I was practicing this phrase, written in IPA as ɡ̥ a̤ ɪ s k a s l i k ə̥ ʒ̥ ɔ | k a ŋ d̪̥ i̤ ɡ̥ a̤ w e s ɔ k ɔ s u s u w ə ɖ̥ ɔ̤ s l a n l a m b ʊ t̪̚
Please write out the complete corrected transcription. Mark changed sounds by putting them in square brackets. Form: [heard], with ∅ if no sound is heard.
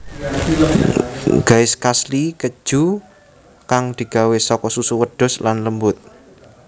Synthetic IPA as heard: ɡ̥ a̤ ɪ s k a s l i k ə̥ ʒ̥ [u] | k a ŋ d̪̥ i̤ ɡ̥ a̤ w e s ɔ k ɔ s u s u w ə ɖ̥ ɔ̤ s l a n l [ə] m b ʊ t̪̚